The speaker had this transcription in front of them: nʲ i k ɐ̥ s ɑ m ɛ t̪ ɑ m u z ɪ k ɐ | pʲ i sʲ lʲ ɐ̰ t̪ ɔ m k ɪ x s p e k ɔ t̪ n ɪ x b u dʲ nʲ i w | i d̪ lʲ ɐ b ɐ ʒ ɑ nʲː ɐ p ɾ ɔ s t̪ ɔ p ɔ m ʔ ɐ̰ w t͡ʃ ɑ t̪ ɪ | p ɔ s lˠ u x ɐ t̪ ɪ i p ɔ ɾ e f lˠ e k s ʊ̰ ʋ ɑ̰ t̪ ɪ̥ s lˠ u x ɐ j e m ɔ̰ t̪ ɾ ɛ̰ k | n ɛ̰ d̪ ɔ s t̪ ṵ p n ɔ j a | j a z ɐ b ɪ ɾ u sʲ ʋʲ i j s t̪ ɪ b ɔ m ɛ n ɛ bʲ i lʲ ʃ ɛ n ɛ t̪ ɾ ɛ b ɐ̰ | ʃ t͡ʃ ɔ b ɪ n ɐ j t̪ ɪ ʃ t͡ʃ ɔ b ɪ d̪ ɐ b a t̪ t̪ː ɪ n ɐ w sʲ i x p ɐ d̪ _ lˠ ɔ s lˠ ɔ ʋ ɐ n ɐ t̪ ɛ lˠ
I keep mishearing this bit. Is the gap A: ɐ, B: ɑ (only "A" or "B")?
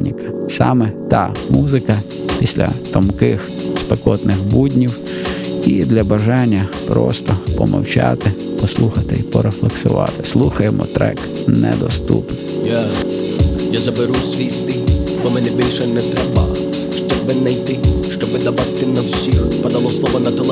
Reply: A